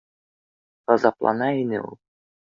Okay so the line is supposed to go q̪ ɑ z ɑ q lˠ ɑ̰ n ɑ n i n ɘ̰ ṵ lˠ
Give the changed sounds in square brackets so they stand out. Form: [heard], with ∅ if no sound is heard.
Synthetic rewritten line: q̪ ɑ z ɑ [p] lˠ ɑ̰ n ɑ [∅] i n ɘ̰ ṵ lˠ